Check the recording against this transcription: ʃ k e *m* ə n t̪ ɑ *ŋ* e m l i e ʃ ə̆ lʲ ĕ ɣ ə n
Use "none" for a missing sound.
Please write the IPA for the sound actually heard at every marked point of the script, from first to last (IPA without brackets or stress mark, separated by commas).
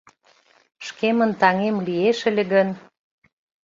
m, ŋ